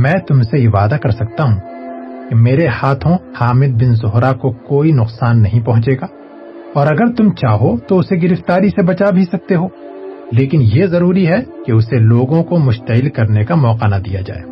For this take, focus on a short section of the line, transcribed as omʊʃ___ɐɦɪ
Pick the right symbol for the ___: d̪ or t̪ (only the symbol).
t̪